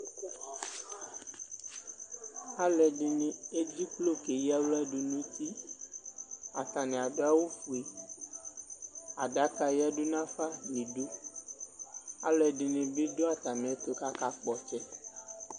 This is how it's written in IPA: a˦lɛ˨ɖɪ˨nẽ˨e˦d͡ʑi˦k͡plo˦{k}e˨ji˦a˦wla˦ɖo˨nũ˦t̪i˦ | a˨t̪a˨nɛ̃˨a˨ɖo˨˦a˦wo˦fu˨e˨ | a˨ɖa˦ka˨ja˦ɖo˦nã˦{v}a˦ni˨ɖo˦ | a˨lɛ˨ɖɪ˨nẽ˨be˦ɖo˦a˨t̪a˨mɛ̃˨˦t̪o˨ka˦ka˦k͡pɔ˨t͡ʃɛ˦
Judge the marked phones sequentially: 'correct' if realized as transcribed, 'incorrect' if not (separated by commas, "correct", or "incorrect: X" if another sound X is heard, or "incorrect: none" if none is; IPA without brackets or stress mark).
correct, incorrect: f